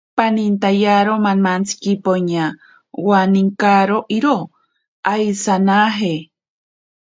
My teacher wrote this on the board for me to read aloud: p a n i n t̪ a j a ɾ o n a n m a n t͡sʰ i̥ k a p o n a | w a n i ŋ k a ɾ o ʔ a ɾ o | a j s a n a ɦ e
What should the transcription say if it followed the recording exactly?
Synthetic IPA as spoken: p a n i n t̪ a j a ɾ o m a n m a n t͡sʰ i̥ k i p o ɲ a | w a n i ŋ k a ɾ o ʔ i ɾ o | a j s a n a ɦ e